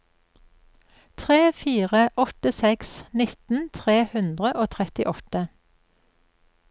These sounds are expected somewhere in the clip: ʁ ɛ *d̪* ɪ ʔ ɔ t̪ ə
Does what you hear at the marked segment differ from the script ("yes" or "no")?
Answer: yes